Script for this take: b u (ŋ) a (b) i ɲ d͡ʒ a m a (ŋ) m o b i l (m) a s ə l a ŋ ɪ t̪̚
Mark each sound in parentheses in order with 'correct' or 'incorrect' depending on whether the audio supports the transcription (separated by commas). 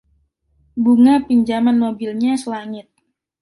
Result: correct, incorrect, incorrect, incorrect